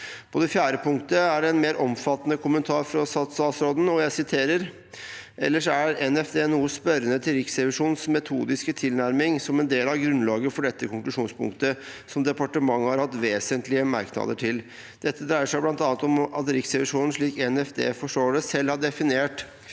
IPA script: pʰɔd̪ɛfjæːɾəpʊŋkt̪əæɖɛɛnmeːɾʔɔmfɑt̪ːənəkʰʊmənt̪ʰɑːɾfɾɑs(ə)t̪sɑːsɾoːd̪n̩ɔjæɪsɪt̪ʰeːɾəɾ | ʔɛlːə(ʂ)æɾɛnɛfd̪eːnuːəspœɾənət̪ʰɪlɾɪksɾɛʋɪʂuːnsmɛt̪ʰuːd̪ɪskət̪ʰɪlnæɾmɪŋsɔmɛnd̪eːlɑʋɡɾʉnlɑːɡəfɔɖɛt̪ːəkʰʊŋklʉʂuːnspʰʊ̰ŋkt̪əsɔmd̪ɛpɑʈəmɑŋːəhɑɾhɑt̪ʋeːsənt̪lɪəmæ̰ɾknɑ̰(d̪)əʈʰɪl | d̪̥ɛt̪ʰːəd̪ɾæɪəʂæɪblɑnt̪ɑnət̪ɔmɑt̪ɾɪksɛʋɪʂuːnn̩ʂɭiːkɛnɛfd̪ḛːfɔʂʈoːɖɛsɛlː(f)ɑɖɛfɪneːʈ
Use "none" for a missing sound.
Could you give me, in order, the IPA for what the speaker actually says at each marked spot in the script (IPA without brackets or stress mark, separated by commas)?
ɑ, ʂ, d̪, h